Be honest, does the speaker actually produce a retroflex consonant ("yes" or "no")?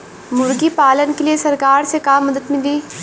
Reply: no